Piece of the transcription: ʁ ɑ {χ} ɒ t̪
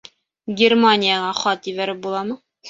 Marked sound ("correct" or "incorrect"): correct